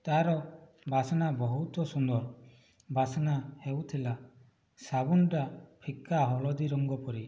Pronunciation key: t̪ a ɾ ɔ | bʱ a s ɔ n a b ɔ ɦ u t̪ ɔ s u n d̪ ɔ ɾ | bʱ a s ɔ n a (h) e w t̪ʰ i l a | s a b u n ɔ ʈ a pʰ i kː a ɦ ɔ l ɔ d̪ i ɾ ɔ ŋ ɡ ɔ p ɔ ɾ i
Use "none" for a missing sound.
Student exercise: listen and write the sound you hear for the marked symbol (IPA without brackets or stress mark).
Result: h